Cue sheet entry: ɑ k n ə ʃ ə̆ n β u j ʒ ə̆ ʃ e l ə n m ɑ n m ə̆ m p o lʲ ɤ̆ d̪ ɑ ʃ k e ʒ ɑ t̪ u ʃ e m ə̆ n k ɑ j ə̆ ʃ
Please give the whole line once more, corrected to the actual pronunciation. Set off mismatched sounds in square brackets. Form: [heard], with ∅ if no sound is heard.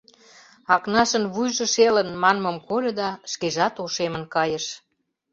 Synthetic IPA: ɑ k n [ɑ] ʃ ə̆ n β u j ʒ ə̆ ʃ e l ə n m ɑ n m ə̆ m [k] o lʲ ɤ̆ d̪ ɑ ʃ k e ʒ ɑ t̪ [o] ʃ e m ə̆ n k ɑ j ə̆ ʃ